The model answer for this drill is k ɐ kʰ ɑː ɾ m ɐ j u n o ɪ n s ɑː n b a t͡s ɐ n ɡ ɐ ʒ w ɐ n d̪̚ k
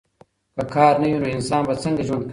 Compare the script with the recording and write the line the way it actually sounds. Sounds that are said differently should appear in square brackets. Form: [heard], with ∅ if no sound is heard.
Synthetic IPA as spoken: k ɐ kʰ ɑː ɾ [n] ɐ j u n o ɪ n s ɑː n b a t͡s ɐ [ŋ] ɡ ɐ ʒ w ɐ n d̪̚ k